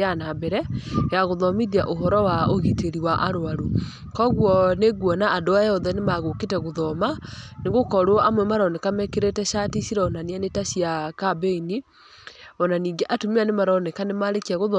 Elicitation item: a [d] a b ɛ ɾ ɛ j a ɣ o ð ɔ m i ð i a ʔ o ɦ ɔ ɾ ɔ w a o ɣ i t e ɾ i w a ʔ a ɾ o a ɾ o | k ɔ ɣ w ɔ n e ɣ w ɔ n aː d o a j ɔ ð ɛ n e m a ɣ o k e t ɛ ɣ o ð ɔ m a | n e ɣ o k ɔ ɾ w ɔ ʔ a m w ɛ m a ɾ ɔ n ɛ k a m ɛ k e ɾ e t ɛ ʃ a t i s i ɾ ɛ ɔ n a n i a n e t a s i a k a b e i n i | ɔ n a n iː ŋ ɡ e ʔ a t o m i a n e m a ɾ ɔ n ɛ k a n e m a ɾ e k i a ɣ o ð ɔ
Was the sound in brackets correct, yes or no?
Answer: no